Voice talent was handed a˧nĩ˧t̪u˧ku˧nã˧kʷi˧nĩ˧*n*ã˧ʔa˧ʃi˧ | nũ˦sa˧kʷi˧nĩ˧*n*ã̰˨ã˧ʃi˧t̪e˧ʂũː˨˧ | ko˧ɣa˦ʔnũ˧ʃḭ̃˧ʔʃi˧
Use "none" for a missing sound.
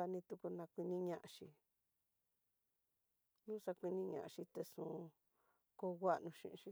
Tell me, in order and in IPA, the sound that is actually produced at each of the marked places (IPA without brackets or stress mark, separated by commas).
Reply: ɲ, ɲ